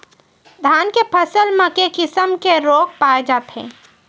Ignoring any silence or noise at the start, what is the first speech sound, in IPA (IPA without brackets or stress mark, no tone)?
d̪ʱ